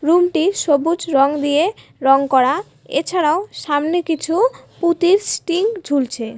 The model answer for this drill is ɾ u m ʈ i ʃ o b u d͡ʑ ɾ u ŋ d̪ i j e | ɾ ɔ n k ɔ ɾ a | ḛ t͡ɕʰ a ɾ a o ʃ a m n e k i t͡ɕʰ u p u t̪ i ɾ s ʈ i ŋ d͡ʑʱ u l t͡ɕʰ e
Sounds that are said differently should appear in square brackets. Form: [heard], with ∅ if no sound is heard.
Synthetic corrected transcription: ɾ u m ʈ i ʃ o b u d͡ʑ ɾ [ɔ] ŋ d̪ i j e | ɾ ɔ [ŋ] k ɔ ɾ a | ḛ t͡ɕʰ a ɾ a o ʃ a m n e k i t͡ɕʰ u p u t̪ i ɾ s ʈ i ŋ d͡ʑʱ u l t͡ɕʰ e